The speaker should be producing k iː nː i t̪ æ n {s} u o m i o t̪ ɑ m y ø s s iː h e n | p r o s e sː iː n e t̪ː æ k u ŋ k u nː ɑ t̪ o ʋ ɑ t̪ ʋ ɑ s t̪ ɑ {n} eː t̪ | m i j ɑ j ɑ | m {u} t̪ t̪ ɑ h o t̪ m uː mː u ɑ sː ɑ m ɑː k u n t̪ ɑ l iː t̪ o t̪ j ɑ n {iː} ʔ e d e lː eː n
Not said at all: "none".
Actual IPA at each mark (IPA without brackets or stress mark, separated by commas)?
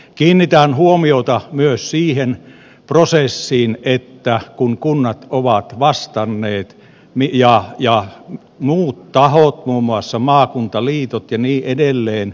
h, nː, uː, iː